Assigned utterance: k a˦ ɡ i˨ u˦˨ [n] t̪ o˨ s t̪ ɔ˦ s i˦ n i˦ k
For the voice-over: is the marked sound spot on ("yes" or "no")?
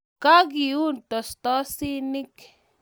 yes